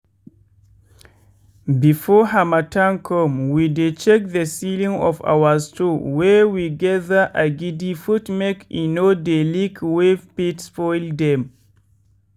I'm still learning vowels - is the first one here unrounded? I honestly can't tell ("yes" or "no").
yes